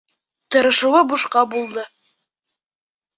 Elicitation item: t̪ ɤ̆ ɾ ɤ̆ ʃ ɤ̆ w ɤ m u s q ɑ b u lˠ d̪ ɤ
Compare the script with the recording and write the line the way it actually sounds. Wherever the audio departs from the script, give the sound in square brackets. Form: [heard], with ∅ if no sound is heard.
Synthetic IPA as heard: t̪ ɤ̆ ɾ ɤ̆ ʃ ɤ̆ w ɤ [b] u [ʃ] q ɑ b u lˠ d̪ ɤ